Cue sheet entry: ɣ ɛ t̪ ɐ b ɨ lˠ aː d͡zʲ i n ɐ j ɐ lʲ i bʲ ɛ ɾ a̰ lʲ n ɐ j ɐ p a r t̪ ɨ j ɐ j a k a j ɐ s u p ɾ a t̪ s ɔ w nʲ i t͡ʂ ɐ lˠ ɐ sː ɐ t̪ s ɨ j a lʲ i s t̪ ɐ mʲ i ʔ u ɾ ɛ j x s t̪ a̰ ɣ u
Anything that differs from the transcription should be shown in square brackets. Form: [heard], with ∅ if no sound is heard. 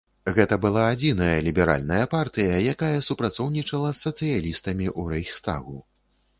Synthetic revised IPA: ɣ ɛ t̪ ɐ b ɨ lˠ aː d͡zʲ i n ɐ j ɐ lʲ i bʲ ɛ ɾ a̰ lʲ n ɐ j ɐ p a r t̪ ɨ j ɐ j a k a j ɐ s u p ɾ a t̪ s ɔ w nʲ i t͡ʂ ɐ lˠ ɐ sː ɐ t̪ s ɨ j a lʲ i s t̪ ɐ mʲ i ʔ u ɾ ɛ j x s t̪ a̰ ɣ u